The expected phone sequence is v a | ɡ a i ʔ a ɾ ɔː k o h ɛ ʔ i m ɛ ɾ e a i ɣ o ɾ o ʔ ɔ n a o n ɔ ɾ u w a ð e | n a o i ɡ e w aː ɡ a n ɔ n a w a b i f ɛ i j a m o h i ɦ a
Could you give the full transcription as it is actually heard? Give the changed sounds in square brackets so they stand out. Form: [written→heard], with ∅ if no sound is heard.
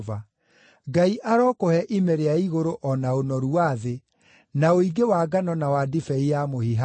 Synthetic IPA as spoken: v a | ɡ a i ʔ a ɾ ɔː k o h ɛ ʔ i m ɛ ɾ e a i ɣ o ɾ o ʔ ɔ n a o n ɔ ɾ u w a ð e | n a o i ɡ e w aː ɡ a n ɔ n a w a [b→d] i f ɛ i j a m o h i ɦ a

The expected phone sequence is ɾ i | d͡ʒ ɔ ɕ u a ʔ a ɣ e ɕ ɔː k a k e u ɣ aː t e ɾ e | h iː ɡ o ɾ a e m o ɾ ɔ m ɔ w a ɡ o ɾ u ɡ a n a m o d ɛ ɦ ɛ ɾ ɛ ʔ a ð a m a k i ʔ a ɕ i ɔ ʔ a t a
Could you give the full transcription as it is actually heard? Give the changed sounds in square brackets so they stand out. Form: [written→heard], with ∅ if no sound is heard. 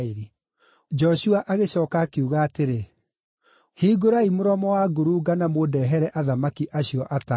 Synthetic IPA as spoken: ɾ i | d͡ʒ ɔ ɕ u a ʔ a ɣ e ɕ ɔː k a k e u ɣ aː t e ɾ e | h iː ɡ o ɾ a [e→i] m o ɾ ɔ m ɔ w a ɡ o ɾ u ɡ a n a m o d ɛ ɦ ɛ ɾ ɛ ʔ a ð a m a k i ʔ a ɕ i ɔ ʔ a t a

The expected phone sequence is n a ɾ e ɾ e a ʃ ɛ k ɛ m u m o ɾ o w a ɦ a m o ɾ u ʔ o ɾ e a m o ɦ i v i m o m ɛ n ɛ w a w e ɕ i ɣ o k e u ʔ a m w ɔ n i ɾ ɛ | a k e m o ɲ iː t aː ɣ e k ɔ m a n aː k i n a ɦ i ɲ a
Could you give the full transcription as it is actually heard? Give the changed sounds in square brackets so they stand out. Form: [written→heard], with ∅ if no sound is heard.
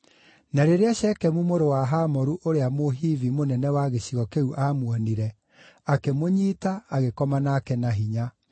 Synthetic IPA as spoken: n a ɾ e ɾ e a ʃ ɛ k ɛ m u m o ɾ o w a ɦ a m [o→ɔ] ɾ u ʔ o ɾ e a m o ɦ i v i m o [m→n] ɛ n ɛ w a [w→ɣ] e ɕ i ɣ [o→ɔ] k e u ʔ a m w ɔ n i ɾ ɛ | a k e m o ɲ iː t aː ɣ e k ɔ m a n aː k [i→ɛ] n a ɦ i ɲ a

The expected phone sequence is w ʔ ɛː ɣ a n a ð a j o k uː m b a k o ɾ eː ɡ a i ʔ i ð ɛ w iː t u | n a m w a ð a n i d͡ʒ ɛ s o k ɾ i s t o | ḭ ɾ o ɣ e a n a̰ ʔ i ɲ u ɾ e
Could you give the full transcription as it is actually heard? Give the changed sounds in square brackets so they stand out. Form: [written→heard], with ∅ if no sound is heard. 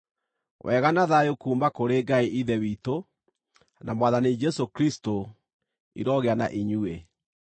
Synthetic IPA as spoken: w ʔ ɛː ɣ a n a ð a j o k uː m b a k o ɾ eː ɡ a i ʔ i ð ɛ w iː t [u→o] | n a m w a ð a n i d͡ʒ ɛ s o k ɾ i s t o | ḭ ɾ [o→ɔ] ɣ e a n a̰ ʔ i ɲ u [ɾ→∅] e

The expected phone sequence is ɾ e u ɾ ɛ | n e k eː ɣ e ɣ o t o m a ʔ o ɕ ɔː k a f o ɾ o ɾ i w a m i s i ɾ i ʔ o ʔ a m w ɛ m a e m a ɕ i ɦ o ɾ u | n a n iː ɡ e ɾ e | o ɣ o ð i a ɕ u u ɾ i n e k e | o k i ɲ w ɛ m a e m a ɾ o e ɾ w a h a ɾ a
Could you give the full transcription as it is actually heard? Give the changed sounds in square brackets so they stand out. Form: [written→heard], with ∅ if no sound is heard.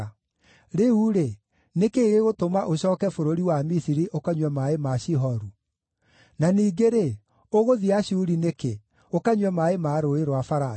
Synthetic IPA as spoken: ɾ e u ɾ [ɛ→e] | n e k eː ɣ e ɣ o t o m a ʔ o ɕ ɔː k [a→ɛ] f o ɾ o ɾ i w a m i s i ɾ i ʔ o [ʔ→k] a [m→ɲ] w ɛ m a e m a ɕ i ɦ [o→ɔ] ɾ u | n a n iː ɡ e ɾ e | o ɣ o ð i a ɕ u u ɾ i n e k e | o k [i→a] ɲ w ɛ m a e m a ɾ o e ɾ w a [h→f] a ɾ a

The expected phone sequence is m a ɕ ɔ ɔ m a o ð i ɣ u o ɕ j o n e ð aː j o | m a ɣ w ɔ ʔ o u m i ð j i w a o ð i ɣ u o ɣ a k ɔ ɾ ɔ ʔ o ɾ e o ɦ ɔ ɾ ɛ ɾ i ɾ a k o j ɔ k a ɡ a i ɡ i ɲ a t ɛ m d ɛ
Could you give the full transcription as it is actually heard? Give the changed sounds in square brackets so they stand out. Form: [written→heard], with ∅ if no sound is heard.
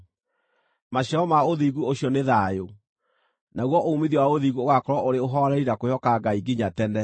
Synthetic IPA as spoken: m a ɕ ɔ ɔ m a o ð i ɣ u o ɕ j [o→ɔ] n e ð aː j o | [m→n] a ɣ w ɔ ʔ o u m i ð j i w a o ð i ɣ u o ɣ a k ɔ ɾ ɔ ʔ o ɾ e o ɦ ɔ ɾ ɛ ɾ i ɾ a k o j ɔ k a ɡ a i ɡ i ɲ a t ɛ [m→n] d ɛ

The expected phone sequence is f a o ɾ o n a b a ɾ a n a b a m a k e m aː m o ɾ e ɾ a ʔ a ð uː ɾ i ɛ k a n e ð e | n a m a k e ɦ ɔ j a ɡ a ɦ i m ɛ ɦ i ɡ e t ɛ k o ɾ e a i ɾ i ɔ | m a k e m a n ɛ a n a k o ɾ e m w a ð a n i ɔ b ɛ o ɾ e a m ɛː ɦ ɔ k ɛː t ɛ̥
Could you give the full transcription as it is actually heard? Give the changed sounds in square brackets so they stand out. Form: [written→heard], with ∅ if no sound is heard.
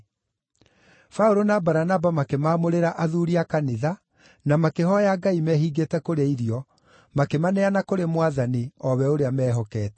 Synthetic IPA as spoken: f a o ɾ o n a b a ɾ a n a b a m a k e m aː m o ɾ e ɾ a ʔ a ð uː ɾ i [ɛ→a] k a n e ð [e→a] | n a m a k e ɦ ɔ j a ɡ a [ɦ→∅] i m ɛ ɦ i ɡ e t ɛ k o ɾ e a i ɾ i ɔ | m a k e m a n ɛ a n a k o ɾ e m w a ð a n i ɔ [b→β] ɛ o ɾ e a m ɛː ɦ ɔ k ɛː t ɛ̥

